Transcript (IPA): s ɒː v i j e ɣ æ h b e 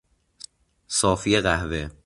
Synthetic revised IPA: s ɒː f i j e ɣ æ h v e